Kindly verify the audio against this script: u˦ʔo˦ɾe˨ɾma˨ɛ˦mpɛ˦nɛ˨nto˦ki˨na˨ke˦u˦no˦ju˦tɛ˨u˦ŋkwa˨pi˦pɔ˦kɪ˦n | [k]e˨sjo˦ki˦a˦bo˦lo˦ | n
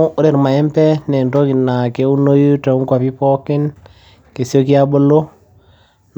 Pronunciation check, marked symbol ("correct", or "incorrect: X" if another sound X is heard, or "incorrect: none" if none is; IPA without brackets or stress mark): correct